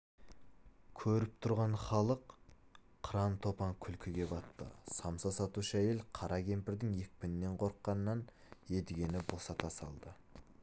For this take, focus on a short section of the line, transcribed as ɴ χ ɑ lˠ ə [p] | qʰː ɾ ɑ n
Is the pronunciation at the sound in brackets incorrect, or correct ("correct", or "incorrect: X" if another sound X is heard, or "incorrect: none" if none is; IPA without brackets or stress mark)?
incorrect: q